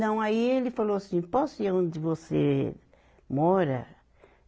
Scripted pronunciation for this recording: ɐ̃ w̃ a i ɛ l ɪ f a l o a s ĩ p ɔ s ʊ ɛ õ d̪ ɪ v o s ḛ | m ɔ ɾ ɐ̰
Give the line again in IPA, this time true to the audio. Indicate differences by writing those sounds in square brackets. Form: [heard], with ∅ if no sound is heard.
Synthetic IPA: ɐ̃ w̃ a i [e] l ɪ f a l o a s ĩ p ɔ s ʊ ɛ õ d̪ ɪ v o s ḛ | m ɔ ɾ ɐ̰